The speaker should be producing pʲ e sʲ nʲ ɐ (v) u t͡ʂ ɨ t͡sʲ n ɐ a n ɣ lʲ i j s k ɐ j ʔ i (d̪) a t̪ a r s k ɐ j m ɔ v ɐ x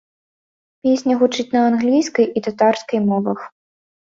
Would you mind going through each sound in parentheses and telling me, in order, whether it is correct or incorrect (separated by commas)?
incorrect, incorrect